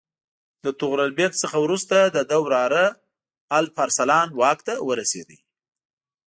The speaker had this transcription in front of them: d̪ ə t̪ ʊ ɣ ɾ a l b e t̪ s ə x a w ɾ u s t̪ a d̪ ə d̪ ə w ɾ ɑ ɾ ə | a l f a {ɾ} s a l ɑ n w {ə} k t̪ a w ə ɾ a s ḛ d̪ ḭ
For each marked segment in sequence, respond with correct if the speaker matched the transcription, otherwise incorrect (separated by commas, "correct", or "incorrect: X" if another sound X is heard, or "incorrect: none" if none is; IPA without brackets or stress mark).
correct, incorrect: ɑ